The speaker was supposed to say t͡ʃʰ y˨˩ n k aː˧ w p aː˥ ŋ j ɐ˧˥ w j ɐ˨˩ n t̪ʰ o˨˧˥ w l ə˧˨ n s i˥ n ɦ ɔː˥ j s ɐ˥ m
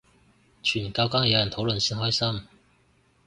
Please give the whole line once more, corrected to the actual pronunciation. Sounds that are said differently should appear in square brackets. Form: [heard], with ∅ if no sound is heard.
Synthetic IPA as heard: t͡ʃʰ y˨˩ n k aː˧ w [k] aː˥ ŋ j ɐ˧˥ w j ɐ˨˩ n t̪ʰ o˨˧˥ w l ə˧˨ n s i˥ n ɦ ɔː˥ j s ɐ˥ m